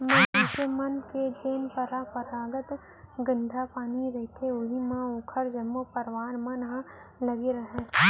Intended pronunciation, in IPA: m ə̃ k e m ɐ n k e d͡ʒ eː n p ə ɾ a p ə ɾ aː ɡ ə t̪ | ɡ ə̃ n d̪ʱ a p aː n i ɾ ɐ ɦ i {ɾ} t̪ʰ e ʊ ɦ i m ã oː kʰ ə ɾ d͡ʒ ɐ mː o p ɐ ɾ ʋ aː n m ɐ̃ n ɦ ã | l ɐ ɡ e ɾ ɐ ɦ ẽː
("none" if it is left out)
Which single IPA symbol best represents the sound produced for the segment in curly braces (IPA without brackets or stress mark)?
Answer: none